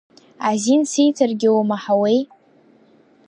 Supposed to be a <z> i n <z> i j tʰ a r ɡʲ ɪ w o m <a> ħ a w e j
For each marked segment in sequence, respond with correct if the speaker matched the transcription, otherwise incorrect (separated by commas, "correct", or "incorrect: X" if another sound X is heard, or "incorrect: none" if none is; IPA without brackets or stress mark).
correct, incorrect: s, correct